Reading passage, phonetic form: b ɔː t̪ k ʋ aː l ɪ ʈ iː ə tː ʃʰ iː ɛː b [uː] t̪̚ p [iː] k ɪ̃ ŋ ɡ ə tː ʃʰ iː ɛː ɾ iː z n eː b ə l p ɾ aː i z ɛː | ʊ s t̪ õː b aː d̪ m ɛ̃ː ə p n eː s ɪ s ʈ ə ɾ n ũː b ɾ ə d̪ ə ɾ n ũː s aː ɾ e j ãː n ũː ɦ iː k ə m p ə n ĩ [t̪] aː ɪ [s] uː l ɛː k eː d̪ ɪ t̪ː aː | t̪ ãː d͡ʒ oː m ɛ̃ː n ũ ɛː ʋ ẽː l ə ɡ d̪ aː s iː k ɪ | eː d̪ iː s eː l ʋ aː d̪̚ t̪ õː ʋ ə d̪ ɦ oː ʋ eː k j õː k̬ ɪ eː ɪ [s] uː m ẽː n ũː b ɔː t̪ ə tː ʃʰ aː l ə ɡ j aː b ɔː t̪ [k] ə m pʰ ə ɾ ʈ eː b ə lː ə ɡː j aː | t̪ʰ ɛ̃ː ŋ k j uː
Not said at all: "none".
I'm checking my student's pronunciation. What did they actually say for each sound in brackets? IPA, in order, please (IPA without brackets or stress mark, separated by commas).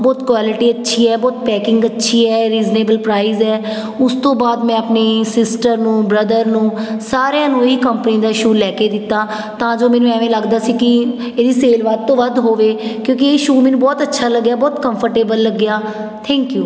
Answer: ɔː, ɛː, d̪, ʃ, ʃ, k